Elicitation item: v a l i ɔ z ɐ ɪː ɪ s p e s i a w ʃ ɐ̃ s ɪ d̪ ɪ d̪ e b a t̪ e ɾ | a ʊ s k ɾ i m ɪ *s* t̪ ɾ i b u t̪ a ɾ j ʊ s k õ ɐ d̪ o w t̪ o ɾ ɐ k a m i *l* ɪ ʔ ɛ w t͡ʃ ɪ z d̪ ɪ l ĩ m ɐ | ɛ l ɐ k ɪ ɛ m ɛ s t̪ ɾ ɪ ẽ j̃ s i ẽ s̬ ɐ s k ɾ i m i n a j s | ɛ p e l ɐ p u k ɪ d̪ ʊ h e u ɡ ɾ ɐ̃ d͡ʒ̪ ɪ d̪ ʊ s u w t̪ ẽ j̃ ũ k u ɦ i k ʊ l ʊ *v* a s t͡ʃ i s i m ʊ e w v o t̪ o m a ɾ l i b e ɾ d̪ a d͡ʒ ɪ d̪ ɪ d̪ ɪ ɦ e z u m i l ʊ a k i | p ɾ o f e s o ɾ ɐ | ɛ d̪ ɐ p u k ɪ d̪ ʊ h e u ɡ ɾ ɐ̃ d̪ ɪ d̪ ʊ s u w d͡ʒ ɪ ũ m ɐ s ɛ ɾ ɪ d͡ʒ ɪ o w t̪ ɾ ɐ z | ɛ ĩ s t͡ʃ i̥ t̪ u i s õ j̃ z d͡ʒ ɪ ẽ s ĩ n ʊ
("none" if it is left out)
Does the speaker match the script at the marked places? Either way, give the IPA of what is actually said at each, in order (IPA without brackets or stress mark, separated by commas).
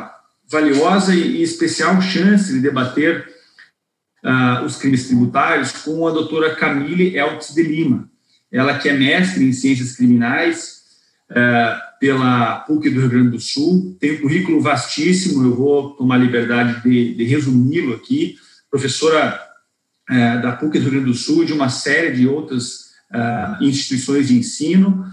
s, l, v